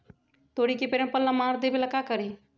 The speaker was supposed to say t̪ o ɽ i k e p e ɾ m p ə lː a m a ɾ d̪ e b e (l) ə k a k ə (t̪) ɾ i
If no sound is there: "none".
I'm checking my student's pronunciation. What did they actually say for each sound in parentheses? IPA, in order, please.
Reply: l, none

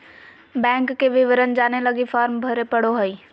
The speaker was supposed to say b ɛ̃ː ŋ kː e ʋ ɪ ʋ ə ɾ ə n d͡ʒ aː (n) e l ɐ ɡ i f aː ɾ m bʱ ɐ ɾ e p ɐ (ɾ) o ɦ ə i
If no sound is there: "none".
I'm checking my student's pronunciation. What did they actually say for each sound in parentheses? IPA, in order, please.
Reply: n, ɽ

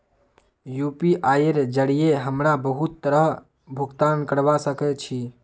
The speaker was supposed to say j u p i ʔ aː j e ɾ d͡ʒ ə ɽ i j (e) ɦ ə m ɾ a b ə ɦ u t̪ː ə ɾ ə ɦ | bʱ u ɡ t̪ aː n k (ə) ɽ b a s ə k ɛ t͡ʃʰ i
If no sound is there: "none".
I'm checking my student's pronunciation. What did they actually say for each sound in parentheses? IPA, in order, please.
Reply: e, ə

